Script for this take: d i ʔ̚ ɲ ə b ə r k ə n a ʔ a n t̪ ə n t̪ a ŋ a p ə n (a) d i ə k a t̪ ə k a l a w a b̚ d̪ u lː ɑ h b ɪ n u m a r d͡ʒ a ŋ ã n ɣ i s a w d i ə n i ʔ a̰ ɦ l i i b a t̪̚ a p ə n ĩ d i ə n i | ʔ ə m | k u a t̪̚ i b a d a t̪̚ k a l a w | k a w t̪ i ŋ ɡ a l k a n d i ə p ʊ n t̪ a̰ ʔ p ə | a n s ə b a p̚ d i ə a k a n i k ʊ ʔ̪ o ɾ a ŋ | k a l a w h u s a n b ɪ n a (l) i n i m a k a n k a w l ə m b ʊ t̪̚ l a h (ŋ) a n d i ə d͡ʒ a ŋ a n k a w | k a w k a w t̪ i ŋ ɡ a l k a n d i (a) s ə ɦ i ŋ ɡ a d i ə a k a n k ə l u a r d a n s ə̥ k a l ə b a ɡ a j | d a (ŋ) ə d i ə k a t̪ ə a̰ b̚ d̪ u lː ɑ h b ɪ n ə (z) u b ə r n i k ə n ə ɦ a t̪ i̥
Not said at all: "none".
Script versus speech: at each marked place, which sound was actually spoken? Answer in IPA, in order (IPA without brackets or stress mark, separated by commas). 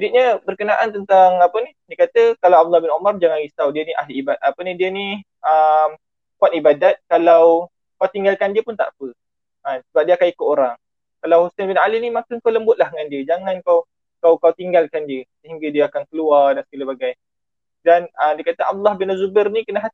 i, l, ŋ, ə, n, z